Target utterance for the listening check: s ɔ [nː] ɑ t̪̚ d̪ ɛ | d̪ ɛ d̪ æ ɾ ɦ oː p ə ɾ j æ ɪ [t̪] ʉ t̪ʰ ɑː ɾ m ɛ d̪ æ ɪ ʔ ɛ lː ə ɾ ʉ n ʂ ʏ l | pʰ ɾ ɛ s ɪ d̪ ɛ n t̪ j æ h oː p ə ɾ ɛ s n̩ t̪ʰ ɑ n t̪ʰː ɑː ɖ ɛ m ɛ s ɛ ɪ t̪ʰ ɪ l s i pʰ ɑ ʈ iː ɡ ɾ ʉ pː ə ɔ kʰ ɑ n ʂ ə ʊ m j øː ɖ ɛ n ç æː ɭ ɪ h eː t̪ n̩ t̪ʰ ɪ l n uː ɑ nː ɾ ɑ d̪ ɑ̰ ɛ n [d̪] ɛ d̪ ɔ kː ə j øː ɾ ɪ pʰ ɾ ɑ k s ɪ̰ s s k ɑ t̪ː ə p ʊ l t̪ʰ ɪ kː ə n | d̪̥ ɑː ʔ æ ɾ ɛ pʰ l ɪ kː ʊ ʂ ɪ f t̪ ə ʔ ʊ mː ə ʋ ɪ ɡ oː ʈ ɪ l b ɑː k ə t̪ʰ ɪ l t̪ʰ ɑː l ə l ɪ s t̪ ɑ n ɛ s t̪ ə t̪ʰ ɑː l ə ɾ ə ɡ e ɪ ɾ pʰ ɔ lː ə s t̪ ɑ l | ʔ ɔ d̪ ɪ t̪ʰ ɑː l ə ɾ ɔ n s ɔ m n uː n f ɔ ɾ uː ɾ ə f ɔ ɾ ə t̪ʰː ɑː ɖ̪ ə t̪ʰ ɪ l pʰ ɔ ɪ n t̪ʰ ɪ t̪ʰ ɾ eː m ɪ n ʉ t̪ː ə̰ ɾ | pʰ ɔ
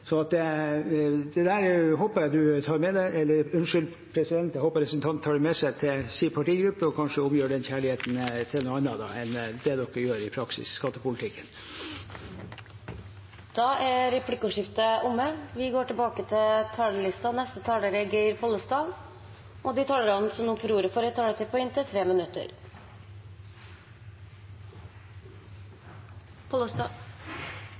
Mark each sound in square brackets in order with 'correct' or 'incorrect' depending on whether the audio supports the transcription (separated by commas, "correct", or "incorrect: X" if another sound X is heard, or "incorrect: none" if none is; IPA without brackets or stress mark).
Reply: incorrect: n, incorrect: d̪, correct